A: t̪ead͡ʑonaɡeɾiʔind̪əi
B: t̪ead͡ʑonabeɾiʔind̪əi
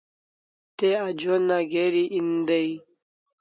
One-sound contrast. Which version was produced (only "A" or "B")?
A